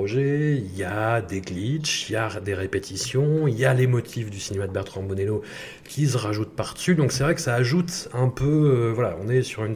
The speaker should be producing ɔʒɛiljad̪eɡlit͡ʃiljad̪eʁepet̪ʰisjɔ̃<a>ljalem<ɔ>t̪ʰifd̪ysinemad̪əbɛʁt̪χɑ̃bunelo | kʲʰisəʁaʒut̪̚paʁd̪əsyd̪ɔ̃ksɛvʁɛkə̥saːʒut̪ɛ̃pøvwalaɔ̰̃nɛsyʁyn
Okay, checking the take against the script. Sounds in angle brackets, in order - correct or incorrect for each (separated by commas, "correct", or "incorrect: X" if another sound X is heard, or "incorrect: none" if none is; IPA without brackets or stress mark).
incorrect: i, correct